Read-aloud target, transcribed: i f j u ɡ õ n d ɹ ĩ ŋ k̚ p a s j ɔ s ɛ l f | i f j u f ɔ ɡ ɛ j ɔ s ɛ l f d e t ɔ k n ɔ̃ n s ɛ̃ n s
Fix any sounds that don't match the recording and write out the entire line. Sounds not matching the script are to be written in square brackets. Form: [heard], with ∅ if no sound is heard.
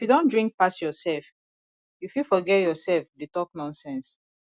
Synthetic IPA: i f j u [d] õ n d ɹ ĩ ŋ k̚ p a s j ɔ s ɛ l f | i f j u f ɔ ɡ ɛ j ɔ s ɛ l f d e t ɔ k n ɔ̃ n s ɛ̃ n s